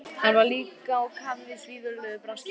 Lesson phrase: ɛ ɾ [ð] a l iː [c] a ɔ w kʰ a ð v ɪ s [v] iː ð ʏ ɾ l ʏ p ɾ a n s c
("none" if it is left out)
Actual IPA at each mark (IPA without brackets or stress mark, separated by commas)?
v, k, v